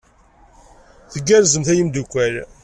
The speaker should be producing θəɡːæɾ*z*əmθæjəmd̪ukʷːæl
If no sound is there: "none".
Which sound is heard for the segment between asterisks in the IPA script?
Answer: z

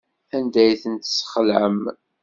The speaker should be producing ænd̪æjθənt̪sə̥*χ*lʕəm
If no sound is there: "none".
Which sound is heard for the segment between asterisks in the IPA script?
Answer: χ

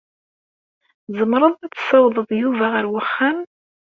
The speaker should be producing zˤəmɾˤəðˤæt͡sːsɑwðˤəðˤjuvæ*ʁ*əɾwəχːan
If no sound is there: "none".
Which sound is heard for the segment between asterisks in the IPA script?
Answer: ʁ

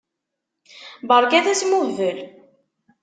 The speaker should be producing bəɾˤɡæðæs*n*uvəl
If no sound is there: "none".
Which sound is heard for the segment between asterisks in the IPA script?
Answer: m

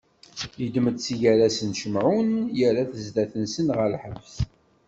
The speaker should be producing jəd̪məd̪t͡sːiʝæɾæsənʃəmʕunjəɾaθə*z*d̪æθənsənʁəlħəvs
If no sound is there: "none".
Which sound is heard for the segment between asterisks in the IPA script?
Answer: z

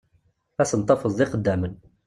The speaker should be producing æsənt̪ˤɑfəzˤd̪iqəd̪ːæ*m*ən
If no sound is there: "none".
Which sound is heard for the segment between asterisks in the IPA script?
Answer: m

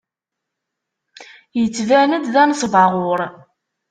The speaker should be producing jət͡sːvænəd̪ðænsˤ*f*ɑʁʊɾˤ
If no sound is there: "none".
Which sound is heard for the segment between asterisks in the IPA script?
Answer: v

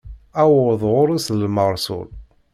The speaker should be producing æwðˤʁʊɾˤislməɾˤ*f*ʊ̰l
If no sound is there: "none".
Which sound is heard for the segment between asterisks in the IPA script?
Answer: s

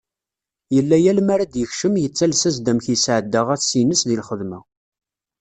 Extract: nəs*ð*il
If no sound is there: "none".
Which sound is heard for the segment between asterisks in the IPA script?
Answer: ð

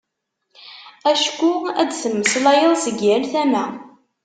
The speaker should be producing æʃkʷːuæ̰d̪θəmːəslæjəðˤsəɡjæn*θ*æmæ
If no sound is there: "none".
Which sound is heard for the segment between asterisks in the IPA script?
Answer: θ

